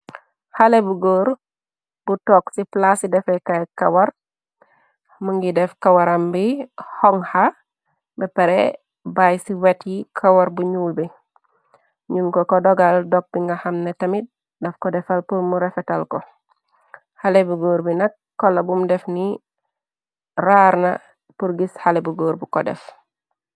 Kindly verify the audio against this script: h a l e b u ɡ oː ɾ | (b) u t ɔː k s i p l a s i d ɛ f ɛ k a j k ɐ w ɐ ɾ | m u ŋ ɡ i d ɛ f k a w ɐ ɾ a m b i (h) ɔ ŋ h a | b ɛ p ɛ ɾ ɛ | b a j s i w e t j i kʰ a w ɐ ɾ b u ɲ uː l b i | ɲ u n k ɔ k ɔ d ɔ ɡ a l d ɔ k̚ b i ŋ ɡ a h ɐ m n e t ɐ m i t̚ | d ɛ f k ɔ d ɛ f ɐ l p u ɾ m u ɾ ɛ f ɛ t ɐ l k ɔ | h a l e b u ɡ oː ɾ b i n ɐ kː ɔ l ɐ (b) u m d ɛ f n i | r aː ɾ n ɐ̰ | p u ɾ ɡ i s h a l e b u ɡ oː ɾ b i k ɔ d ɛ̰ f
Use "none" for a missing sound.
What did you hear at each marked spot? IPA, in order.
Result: b, h, b

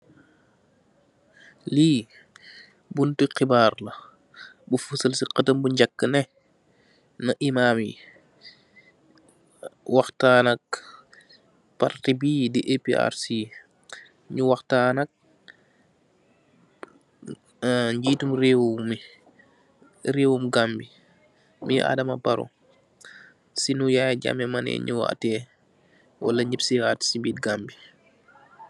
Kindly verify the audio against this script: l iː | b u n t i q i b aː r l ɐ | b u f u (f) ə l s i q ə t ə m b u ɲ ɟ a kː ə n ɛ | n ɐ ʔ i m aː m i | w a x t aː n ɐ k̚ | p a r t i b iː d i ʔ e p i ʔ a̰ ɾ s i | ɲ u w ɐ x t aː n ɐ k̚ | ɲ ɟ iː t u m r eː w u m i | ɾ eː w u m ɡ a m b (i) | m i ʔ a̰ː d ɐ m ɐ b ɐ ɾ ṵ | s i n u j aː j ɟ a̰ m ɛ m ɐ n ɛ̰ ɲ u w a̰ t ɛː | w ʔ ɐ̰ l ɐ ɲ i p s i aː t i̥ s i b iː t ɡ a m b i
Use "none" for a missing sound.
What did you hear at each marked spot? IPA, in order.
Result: s, i

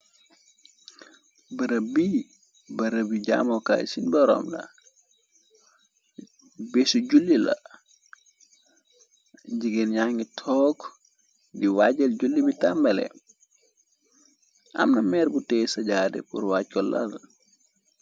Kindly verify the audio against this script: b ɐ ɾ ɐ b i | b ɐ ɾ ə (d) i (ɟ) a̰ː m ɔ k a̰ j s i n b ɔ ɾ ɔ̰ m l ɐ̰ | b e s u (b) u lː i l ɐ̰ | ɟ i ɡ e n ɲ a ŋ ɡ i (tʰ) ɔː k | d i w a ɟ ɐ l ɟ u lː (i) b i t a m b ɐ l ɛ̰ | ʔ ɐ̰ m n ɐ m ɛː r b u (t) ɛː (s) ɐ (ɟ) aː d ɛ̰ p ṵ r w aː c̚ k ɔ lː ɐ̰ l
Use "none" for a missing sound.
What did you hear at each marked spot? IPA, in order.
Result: b, ɟ, ɟ, tʰ, i, t, s, ɟ

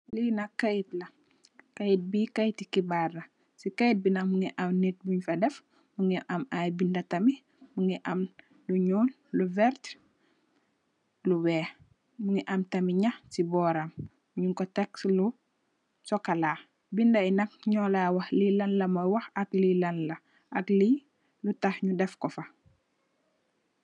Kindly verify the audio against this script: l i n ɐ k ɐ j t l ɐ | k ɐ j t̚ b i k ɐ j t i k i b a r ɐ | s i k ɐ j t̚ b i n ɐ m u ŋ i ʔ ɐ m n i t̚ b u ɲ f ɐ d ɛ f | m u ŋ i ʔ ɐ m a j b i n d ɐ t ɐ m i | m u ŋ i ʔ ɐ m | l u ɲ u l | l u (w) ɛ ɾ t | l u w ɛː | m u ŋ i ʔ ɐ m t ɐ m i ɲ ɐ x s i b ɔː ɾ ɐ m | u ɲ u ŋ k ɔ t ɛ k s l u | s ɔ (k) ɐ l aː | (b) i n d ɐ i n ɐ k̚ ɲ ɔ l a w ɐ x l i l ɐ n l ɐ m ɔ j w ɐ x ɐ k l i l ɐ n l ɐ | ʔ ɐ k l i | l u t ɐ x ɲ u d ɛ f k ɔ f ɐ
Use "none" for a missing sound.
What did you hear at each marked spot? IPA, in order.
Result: v, k, b

